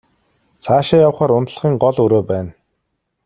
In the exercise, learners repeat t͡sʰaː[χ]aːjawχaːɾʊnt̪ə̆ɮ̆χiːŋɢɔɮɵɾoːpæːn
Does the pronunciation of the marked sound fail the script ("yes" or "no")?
yes